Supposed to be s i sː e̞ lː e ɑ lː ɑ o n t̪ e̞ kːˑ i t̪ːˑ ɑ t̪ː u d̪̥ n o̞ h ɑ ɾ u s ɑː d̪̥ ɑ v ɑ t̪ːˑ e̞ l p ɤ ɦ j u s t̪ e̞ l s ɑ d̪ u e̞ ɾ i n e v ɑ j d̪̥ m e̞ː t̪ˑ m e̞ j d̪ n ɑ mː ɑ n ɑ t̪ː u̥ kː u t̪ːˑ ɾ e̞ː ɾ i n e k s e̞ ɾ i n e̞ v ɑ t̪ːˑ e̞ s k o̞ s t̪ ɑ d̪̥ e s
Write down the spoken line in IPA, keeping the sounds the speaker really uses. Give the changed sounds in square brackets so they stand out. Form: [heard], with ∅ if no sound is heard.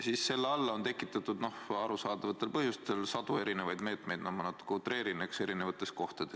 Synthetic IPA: s i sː e̞ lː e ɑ lː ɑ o n t̪ e̞ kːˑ i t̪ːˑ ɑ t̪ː u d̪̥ n o̞ h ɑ ɾ u s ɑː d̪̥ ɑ v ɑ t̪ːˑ e̞ l p ɤ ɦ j u s t̪ e̞ l s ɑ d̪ u e̞ ɾ i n e v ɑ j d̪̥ m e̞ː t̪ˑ m e̞ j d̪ n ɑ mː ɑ n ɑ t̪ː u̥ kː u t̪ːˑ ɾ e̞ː ɾ i n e k s e̞ ɾ i n e̞ v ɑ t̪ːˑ e̞ s k o̞ [h] t̪ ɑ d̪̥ e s